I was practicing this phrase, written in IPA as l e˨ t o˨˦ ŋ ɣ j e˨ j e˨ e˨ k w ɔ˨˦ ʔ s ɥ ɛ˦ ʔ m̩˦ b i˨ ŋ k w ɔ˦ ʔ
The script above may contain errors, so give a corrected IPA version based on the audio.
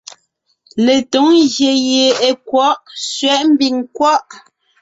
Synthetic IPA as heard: l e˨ t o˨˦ ŋ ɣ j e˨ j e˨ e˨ k w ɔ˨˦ ʔ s ɥ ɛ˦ ʔ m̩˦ b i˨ ŋ k w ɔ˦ ʔ

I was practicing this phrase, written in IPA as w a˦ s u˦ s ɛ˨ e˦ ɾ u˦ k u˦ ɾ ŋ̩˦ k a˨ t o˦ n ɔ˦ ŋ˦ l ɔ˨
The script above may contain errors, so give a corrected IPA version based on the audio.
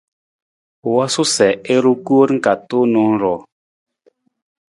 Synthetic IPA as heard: w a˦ s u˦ s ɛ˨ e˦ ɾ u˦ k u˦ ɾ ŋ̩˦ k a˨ t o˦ n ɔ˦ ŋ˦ ɾ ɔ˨

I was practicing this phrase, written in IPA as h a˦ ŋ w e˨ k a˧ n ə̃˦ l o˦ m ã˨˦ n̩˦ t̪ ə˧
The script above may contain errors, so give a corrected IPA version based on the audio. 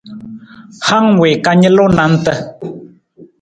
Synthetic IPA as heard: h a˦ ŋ w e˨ k a˧ ɲ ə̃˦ l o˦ n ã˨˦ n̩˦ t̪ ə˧

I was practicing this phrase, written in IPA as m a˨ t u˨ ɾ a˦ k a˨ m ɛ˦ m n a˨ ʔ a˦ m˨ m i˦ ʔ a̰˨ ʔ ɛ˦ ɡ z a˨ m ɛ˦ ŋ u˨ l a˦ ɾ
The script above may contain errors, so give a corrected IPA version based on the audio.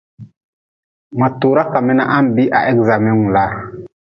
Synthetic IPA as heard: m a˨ t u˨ ɾ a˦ k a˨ m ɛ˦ n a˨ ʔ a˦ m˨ b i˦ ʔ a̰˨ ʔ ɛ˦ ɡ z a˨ m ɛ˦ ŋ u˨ l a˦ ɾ

